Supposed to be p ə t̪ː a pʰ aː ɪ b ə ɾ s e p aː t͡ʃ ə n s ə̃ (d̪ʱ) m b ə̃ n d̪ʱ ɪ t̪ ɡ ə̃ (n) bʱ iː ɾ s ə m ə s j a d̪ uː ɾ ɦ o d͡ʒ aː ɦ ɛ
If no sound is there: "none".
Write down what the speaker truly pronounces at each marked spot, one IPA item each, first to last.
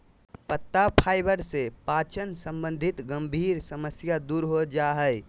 none, m

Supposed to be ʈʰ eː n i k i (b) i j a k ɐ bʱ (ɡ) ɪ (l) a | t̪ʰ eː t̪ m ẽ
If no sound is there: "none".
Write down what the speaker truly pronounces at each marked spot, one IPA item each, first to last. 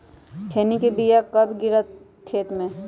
b, ɡ, ɾ

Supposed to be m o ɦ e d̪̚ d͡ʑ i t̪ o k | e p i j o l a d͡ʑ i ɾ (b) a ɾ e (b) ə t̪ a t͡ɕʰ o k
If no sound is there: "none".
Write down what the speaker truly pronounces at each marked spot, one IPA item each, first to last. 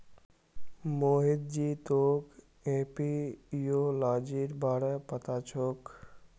b, p

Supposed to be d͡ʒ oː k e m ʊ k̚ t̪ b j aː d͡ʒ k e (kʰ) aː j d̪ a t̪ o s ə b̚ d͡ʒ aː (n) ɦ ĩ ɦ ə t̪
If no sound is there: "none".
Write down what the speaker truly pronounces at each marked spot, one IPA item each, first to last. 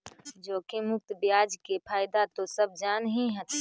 pʰ, n

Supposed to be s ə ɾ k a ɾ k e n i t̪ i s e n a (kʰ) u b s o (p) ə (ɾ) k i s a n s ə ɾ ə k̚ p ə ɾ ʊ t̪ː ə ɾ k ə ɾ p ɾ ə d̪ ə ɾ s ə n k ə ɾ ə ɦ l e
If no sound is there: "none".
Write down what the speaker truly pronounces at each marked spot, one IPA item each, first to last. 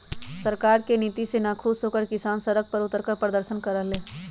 kʰ, k, ɾ

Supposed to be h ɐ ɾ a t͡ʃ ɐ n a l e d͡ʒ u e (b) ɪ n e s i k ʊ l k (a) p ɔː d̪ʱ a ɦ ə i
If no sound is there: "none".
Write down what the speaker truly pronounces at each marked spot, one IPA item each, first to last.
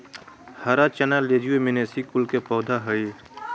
m, e

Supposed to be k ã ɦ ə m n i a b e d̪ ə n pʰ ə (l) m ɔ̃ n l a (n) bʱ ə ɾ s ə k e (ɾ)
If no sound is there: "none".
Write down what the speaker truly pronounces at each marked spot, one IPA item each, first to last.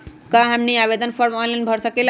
ɾ, n, l

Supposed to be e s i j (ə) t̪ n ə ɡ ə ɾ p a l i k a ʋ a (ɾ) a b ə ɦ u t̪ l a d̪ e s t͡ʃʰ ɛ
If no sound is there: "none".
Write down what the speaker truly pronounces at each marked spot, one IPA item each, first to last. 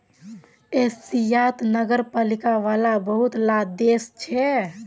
a, l

